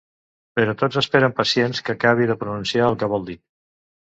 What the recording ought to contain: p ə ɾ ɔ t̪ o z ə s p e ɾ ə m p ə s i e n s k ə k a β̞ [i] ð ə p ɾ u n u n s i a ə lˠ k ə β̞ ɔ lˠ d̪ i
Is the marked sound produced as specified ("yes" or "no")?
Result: yes